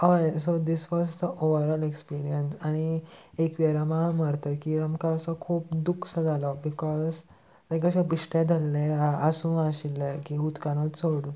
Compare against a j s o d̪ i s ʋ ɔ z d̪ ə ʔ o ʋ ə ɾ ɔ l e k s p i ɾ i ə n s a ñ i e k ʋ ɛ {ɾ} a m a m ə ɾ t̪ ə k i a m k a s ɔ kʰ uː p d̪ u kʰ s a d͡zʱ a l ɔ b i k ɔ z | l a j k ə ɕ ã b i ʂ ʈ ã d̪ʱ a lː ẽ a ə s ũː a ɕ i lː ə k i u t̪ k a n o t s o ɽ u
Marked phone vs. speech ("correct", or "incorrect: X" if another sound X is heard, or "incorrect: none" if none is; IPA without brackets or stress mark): correct